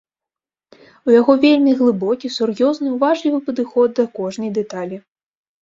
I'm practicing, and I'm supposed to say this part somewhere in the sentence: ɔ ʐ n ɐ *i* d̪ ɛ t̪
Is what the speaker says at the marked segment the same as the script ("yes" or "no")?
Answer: no